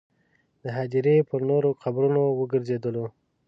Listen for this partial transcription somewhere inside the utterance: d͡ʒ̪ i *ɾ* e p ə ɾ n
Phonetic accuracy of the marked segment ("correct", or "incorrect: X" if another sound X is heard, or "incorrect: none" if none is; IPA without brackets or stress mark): correct